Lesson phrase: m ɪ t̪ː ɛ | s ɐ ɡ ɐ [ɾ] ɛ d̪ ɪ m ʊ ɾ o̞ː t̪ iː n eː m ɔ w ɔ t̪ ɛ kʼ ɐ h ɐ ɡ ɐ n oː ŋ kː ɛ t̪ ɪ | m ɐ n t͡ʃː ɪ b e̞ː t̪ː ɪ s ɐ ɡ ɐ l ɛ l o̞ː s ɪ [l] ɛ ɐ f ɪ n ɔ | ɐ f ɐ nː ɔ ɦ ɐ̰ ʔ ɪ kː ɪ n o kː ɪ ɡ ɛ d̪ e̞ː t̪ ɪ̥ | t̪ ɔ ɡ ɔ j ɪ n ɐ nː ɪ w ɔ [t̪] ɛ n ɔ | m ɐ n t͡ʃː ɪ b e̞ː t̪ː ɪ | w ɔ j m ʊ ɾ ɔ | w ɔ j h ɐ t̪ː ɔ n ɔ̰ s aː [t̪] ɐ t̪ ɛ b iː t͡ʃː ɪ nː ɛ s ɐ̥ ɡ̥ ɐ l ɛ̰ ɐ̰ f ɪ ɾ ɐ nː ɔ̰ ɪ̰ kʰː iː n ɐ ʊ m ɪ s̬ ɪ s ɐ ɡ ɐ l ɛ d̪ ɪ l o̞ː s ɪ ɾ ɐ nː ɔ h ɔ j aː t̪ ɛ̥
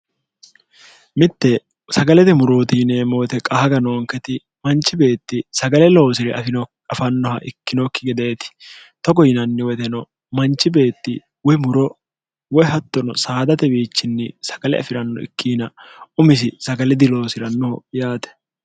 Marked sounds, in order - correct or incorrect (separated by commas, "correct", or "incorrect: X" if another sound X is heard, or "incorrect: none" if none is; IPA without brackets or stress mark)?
incorrect: l, incorrect: ɾ, correct, incorrect: d̪